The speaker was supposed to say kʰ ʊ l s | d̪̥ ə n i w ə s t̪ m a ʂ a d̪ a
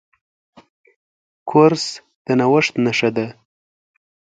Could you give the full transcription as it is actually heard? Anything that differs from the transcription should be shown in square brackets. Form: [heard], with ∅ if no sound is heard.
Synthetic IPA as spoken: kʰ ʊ [ɾ] s | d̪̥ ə n [a] w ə [ʂ] t̪ [n] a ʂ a d̪ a

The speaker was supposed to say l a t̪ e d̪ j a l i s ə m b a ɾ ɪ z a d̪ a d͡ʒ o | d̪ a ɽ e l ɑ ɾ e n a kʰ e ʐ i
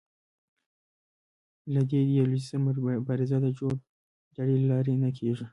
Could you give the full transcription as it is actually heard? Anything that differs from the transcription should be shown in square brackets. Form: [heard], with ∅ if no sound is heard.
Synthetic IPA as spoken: l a [d̪] e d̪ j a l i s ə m b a ɾ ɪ z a d̪ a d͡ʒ o | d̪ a ɽ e l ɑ ɾ e n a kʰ e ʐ i

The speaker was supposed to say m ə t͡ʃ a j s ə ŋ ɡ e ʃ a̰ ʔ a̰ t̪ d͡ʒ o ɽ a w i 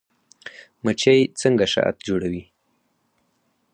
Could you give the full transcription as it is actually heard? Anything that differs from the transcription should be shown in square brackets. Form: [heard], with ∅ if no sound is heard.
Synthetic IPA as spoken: m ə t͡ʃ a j [t͡s] ə ŋ ɡ [a] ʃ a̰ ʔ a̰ t̪ d͡ʒ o ɽ a w i

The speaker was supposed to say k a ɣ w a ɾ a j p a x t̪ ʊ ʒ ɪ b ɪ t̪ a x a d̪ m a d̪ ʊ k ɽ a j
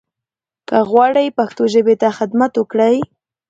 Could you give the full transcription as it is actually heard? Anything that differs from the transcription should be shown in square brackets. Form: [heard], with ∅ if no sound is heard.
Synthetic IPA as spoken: k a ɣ w a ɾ a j p a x t̪ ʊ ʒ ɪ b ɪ t̪ a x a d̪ m a [t̪] ʊ k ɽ a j

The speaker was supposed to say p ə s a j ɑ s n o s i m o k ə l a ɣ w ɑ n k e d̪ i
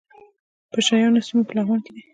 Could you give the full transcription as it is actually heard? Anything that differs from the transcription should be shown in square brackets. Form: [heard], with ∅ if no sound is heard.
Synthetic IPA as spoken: p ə [ʃ] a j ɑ [∅] n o s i m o [p] ə l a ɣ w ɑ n k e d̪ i

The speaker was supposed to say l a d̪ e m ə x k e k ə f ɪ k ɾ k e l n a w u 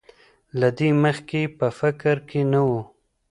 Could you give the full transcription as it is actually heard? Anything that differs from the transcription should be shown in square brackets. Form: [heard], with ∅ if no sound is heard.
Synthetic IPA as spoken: l a d̪ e m ə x k e [p] ə f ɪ k ɾ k e [∅] n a w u

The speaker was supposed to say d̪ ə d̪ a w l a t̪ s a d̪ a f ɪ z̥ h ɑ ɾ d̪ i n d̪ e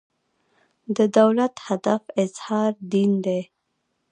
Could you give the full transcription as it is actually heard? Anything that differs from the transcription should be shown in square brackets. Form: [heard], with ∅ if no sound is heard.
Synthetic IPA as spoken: d̪ ə d̪ a w l a t̪ [h] a d̪ a f ɪ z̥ h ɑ ɾ d̪ i n d̪ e

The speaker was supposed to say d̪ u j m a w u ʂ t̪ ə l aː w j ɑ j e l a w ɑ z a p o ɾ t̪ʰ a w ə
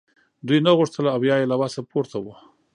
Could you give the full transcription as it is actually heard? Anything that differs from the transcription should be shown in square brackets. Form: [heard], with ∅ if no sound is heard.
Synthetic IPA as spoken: d̪ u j [n] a [ɣ] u ʂ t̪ ə l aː w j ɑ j e l a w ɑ [s] a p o ɾ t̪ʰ a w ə

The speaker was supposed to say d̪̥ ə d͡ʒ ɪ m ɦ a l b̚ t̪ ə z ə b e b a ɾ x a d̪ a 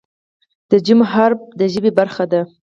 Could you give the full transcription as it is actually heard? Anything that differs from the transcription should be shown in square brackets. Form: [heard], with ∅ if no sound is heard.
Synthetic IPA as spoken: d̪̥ ə d͡ʒ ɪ m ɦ a [ɾ] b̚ [d̪] ə [ʒ] ə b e b a ɾ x a d̪ a

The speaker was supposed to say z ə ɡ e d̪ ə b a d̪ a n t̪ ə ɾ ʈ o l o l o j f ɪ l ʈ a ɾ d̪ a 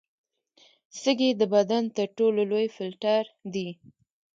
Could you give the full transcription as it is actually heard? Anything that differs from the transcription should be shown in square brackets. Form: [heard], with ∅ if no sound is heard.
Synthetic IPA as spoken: [s] ə ɡ e d̪ ə b a d̪ a n t̪ ə ɾ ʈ o l o l o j f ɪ l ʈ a ɾ d̪ [i]

